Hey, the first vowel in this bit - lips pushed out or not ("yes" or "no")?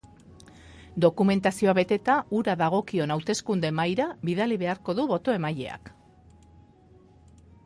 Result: yes